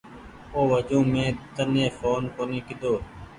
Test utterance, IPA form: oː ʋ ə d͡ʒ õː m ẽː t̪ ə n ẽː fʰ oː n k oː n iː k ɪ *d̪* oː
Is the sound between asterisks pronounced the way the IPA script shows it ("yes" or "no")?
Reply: yes